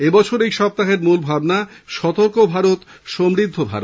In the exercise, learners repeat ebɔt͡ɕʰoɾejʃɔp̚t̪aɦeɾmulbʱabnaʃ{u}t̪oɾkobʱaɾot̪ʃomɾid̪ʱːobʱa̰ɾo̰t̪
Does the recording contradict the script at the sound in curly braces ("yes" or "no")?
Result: yes